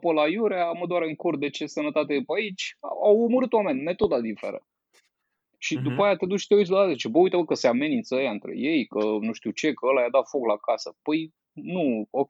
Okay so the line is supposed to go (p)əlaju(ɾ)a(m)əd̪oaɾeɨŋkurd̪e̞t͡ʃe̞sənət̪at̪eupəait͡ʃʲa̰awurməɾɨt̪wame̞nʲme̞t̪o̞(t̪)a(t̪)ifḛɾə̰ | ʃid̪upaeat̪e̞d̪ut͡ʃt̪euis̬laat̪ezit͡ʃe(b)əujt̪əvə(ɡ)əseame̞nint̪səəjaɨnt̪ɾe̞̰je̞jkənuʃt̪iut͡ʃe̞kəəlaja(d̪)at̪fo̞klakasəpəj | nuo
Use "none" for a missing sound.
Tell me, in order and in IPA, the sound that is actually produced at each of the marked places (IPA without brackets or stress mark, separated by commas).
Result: p, ɾ, m, d̪, d̪, b, k, d̪